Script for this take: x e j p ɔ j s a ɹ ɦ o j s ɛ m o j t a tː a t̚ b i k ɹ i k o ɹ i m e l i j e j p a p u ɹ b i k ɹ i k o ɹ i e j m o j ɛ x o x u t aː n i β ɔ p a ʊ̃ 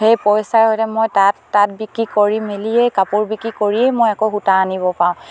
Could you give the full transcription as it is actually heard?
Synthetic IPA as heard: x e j p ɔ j s a ɹ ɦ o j t ɛ m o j t a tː a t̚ b i k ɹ i k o ɹ i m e l i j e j k a p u ɹ b i k ɹ i k o ɹ i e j m o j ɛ k o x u t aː n i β ɔ p a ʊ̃